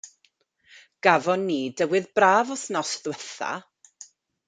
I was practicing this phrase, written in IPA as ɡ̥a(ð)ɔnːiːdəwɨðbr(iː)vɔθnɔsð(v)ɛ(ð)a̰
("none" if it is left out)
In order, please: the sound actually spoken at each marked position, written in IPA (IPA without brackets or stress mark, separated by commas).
v, aː, w, θ